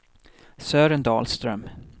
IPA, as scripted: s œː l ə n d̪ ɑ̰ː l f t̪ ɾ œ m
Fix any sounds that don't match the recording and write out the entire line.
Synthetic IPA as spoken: s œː ɾ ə n d̪ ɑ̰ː l s t̪ ɾ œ m